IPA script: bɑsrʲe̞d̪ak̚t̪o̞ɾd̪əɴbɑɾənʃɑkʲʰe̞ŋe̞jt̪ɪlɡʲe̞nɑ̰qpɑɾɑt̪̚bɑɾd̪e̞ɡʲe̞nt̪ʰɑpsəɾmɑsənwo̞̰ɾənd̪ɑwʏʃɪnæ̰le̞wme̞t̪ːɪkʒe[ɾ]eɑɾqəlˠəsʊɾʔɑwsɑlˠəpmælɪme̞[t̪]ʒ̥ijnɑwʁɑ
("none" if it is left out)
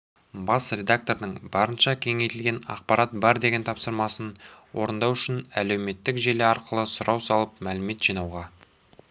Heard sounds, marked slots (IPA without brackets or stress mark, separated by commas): l, t̪